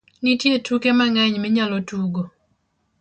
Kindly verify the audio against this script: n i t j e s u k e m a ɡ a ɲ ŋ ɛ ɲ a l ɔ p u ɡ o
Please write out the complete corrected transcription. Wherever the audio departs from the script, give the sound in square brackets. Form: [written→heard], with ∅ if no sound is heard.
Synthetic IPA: n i t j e [s→t] u k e m a [ɡ→ŋ] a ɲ [ŋ→m] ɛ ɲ a l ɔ [p→t] u ɡ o